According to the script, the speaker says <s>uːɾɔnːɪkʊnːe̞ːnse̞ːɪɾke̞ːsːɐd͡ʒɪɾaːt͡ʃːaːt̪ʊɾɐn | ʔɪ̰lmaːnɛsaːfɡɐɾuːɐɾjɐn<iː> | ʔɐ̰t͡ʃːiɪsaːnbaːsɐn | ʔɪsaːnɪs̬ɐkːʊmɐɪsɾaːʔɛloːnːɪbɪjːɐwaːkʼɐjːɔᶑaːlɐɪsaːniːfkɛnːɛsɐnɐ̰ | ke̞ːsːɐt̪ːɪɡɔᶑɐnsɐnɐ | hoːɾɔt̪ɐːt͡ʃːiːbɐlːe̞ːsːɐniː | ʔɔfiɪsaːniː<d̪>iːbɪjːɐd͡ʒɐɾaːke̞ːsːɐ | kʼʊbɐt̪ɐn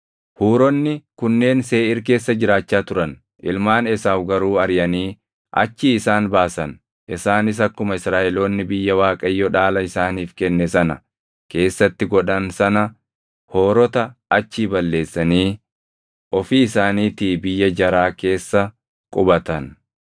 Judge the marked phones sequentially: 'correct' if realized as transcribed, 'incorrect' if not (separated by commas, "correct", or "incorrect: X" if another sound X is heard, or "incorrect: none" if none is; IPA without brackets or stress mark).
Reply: incorrect: h, correct, incorrect: t̪